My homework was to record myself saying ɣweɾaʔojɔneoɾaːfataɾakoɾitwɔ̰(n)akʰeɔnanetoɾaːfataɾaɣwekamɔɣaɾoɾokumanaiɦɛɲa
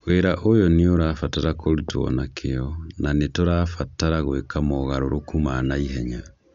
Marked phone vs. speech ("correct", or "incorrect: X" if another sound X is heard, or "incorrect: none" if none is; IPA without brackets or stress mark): correct